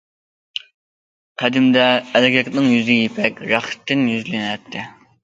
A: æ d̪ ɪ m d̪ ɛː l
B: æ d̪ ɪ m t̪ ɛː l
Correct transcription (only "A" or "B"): A